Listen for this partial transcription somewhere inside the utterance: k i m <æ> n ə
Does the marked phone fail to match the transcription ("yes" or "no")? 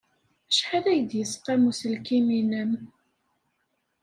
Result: yes